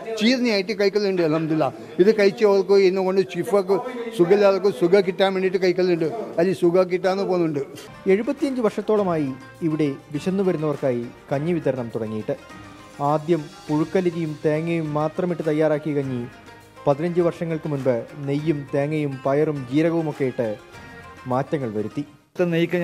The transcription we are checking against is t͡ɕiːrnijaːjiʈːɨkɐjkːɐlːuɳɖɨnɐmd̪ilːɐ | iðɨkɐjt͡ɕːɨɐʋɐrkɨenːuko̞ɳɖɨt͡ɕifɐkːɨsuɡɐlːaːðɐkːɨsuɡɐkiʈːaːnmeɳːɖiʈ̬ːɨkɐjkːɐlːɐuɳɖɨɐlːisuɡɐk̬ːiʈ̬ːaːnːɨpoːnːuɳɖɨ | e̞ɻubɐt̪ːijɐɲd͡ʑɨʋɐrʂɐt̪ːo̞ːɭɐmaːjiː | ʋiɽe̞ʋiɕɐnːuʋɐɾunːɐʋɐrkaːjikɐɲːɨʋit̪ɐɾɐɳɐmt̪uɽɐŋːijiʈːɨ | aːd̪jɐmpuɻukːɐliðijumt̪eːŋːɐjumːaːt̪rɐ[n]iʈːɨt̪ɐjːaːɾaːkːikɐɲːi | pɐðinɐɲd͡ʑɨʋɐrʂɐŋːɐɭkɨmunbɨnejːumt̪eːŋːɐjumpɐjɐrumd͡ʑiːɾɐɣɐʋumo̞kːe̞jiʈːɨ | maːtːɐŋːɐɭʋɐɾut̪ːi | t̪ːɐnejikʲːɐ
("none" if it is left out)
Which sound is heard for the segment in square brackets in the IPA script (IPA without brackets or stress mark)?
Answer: m